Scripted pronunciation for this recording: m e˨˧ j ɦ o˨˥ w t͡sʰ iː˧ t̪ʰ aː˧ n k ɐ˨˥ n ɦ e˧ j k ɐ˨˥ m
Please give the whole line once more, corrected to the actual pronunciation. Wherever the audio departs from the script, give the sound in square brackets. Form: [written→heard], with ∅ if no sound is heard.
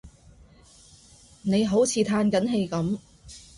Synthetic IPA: [m→n] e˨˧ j ɦ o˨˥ w t͡sʰ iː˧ t̪ʰ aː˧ n k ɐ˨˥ n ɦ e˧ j k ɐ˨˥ m

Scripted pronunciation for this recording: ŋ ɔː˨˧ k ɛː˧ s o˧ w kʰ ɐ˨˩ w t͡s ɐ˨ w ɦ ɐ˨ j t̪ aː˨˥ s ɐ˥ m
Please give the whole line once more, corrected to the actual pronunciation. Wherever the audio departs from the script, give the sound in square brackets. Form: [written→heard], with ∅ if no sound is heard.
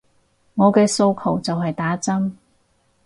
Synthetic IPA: ŋ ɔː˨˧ k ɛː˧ s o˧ w kʰ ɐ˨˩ w t͡s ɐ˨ w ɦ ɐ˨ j t̪ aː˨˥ [s→t͡s] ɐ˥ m

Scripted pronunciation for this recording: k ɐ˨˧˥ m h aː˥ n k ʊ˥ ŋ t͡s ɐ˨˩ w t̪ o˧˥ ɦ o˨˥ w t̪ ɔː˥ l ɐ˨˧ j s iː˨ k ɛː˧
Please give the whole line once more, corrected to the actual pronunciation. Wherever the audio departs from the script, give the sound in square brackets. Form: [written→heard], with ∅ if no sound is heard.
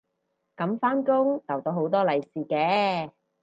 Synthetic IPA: k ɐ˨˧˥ m [h→f] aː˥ n k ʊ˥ ŋ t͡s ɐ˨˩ w t̪ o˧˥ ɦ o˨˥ w t̪ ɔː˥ l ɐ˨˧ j s iː˨ k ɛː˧

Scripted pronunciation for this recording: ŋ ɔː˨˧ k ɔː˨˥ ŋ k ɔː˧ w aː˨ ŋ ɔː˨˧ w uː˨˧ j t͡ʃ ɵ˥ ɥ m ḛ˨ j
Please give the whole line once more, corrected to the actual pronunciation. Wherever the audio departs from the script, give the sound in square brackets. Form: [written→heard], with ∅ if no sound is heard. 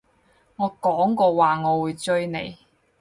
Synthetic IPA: ŋ ɔː˨˧ k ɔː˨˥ ŋ k ɔː˧ w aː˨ ŋ ɔː˨˧ w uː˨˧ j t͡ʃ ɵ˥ ɥ [m→n] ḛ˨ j

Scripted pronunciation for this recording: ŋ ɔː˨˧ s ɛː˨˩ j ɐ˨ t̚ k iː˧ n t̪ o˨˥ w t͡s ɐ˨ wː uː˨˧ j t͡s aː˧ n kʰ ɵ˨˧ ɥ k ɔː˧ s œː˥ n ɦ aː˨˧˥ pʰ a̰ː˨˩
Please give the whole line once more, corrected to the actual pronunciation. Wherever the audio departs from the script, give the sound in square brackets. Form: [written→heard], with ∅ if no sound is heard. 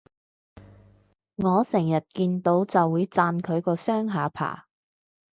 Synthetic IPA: ŋ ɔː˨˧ s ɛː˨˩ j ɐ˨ t̚ k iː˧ n t̪ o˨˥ w t͡s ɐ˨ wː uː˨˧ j t͡s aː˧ n kʰ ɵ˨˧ ɥ k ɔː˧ s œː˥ [n→ŋ] ɦ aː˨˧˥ pʰ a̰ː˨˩

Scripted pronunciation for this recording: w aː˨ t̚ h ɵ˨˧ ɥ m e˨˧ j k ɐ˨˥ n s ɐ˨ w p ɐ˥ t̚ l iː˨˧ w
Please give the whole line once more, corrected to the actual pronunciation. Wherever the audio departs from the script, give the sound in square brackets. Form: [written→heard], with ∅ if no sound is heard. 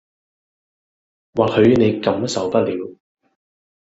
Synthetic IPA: w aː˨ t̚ h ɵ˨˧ ɥ [m→n] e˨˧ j k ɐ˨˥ [n→m] s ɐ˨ w p ɐ˥ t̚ l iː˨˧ w

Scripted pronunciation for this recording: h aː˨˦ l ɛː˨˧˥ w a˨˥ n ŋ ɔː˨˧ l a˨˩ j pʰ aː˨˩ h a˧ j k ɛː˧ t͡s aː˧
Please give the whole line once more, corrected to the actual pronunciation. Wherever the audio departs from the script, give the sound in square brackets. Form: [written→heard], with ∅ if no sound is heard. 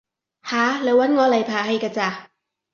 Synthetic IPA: h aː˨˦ l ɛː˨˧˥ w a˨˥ n ŋ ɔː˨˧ l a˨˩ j pʰ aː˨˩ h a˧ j k [ɛː˧→aː˧] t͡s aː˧

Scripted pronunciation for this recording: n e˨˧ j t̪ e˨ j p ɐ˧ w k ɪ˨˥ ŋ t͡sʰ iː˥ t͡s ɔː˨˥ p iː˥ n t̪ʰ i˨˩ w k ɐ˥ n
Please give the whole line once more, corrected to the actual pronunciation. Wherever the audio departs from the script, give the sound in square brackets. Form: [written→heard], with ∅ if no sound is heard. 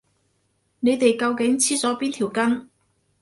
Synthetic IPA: n e˨˧ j t̪ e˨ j [p→k] ɐ˧ w k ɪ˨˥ ŋ t͡sʰ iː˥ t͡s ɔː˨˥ p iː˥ n t̪ʰ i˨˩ w k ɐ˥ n

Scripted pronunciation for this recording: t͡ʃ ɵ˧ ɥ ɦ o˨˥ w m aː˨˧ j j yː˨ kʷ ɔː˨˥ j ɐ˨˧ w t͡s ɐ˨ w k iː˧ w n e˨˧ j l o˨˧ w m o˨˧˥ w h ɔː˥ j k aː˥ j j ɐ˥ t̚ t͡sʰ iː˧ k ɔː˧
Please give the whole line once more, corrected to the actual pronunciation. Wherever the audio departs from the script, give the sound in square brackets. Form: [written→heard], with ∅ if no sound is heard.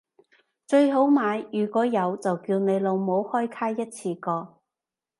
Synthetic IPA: t͡ʃ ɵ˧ ɥ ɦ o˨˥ w m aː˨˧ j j yː˨ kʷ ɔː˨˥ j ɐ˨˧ w t͡s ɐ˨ w k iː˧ w n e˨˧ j l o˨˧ w m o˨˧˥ w h ɔː˥ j [k→kʰ] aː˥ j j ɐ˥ t̚ t͡sʰ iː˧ k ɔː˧

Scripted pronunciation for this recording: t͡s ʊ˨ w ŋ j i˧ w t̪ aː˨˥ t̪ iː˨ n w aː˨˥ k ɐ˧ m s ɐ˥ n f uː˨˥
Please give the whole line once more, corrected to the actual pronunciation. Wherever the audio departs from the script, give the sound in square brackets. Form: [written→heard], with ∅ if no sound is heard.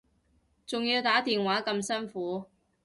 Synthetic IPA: t͡s ʊ˨ [w→∅] ŋ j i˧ w t̪ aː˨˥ t̪ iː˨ n w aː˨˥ k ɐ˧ m s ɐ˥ n f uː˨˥

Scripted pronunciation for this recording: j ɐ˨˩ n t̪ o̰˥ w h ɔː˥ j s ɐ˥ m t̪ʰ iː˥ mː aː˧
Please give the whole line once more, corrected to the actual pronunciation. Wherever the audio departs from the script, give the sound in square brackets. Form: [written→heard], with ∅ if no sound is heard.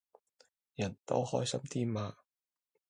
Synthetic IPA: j ɐ˨˩ n t̪ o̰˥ w h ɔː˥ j s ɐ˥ m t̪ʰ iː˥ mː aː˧

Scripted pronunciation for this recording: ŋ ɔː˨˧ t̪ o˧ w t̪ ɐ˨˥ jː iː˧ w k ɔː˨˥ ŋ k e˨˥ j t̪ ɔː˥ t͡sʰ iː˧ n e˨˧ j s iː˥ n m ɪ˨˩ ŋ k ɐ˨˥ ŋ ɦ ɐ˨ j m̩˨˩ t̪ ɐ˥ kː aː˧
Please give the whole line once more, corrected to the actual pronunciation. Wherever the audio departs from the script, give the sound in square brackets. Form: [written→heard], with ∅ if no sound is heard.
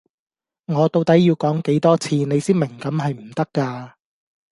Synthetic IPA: ŋ ɔː˨˧ t̪ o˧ w t̪ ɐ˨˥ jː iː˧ w k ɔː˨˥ ŋ k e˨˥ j t̪ ɔː˥ t͡sʰ iː˧ n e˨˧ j s iː˥ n m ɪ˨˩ ŋ k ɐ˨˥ [ŋ→m] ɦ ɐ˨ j m̩˨˩ t̪ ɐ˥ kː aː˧

